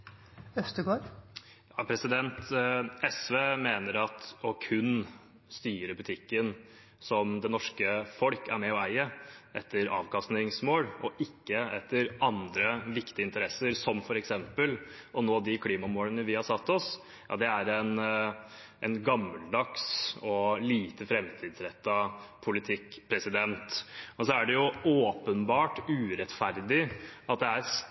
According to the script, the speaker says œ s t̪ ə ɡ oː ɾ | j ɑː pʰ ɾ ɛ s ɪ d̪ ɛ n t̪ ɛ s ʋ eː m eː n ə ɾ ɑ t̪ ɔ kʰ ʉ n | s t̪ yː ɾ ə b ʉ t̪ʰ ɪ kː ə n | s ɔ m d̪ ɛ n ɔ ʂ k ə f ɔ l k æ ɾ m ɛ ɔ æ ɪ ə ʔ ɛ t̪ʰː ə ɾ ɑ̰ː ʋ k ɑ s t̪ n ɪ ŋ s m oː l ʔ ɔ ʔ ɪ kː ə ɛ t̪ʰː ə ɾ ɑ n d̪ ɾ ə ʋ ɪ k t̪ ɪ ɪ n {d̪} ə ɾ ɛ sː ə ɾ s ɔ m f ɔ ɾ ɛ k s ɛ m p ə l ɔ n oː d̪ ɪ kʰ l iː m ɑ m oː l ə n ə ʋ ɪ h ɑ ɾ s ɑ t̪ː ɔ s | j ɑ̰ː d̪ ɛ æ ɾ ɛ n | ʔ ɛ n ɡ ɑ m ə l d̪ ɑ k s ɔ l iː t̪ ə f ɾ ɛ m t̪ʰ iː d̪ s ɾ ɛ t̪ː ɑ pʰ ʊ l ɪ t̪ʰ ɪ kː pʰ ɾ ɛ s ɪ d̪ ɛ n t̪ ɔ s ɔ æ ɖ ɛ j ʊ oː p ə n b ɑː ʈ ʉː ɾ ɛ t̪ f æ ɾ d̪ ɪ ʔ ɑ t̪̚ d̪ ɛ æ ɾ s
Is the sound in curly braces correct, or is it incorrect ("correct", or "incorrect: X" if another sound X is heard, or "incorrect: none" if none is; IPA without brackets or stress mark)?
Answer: incorrect: t̪